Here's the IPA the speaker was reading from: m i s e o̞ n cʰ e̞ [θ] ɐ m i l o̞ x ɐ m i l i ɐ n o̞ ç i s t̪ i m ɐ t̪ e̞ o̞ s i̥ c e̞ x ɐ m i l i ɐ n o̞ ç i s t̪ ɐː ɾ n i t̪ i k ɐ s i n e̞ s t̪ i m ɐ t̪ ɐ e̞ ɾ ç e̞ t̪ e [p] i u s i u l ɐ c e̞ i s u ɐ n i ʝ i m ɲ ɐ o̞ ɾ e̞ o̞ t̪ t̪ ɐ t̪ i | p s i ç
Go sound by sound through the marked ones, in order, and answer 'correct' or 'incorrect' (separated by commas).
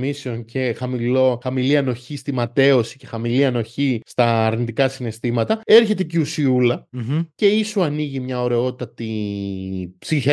incorrect, incorrect